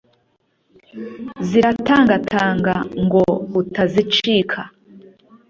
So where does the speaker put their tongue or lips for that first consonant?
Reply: tongue tip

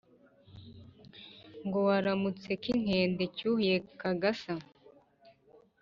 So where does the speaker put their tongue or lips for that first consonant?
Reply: velum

